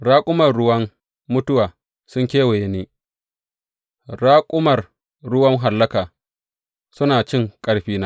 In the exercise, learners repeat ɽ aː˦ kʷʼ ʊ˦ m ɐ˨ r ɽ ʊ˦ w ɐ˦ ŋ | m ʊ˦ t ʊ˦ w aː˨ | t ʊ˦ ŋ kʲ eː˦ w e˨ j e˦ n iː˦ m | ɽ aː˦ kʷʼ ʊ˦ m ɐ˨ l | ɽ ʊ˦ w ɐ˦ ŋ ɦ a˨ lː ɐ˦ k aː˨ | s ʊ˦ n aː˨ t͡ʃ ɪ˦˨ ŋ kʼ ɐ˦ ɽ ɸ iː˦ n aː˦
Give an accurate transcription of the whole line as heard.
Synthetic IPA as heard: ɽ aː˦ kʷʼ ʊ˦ m ɐ˨ r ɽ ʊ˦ w ɐ˦ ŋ | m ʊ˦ t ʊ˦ w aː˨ | s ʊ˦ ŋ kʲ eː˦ w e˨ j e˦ n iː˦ | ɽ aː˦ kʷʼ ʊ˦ m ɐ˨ r | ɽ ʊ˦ w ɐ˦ ŋ ɦ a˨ lː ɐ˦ k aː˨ | s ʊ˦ n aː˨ t͡ʃ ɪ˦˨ ŋ kʼ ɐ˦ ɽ ɸ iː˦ n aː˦

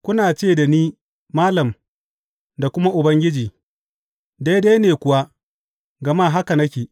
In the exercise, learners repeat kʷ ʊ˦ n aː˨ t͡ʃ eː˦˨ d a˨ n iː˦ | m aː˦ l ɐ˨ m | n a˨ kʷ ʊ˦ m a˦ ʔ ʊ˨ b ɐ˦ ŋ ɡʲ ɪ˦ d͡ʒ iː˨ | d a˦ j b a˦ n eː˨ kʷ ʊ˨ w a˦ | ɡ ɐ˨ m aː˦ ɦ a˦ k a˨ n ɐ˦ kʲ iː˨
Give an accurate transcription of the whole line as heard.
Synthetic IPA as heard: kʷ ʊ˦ n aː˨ t͡ʃ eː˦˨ d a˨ n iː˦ | m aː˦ l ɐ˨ m | d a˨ kʷ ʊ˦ m a˦ ʔ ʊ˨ b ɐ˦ ŋ ɡʲ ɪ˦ d͡ʒ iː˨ | d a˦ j d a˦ n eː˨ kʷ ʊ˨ w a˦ | ɡ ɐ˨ m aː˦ ɦ a˦ k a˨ n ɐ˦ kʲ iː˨

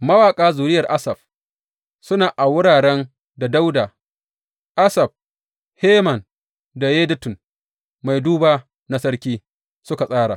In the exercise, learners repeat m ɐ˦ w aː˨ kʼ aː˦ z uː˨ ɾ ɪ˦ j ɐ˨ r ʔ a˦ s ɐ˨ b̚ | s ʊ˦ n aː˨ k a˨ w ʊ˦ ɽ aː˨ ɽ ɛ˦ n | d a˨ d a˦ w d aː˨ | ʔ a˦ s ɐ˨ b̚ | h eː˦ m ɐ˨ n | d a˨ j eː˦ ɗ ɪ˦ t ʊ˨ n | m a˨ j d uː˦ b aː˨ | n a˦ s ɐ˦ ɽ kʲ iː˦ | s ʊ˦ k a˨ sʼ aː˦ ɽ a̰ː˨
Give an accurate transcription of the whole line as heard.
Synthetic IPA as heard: m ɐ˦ w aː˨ kʼ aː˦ z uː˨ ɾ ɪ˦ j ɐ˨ r ʔ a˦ s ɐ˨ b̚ | s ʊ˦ n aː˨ ʔ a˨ w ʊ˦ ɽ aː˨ ɽ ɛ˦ n | d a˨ d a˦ w d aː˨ | ʔ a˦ s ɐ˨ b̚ | h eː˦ m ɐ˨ n | d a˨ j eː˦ d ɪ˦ t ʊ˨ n | m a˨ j d uː˦ b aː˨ | n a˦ s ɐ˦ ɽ kʲ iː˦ | s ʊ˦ k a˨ sʼ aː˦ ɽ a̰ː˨

